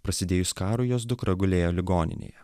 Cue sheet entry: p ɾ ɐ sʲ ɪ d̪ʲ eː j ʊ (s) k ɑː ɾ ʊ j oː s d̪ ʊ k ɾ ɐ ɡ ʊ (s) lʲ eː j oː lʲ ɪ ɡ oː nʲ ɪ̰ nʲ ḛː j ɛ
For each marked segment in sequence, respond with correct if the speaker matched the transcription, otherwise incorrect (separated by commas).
correct, incorrect